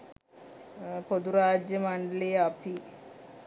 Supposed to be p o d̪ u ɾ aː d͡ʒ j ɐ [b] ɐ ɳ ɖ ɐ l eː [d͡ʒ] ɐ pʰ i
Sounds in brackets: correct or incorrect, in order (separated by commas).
incorrect, incorrect